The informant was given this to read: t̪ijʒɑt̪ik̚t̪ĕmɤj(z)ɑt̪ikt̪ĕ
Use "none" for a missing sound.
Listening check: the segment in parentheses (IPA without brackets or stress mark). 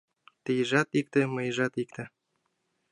ʒ